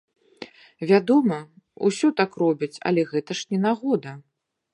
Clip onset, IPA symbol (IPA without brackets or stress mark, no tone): vʲ